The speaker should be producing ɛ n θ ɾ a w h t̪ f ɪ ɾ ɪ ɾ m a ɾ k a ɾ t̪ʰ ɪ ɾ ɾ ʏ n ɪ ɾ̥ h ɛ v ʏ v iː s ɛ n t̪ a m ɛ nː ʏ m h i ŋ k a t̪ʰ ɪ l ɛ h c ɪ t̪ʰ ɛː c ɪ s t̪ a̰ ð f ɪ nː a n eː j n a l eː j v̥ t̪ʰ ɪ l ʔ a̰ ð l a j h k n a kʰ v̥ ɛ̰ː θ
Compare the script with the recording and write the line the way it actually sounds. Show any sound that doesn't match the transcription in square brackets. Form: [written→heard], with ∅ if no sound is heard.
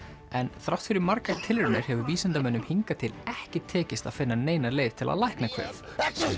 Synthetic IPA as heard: ɛ n θ ɾ a w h t̪ f ɪ ɾ ɪ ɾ m a ɾ k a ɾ t̪ʰ ɪ [ɾ→l] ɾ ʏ n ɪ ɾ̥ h ɛ v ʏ v iː s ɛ n t̪ a m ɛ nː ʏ m h i ŋ k a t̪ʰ ɪ l ɛ h c ɪ t̪ʰ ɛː c ɪ s t̪ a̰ ð f ɪ nː a n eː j n a l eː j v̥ t̪ʰ ɪ l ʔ a̰ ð l a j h k n a kʰ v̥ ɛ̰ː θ